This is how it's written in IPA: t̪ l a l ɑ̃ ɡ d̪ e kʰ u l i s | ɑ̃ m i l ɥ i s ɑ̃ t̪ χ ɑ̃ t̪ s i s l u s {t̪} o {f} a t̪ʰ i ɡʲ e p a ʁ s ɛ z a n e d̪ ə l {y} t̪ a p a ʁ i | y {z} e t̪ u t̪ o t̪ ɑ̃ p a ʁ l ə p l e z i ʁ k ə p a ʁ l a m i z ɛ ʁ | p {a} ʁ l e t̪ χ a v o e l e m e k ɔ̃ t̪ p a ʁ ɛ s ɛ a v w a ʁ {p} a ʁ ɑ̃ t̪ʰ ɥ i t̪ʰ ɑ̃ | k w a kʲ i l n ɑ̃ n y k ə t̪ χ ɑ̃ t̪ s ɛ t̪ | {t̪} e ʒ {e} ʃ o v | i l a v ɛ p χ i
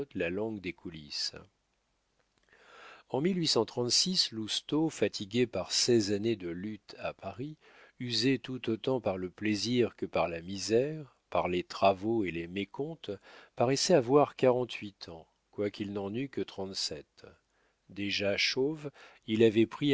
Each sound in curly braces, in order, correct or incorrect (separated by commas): correct, correct, correct, correct, correct, incorrect, incorrect, incorrect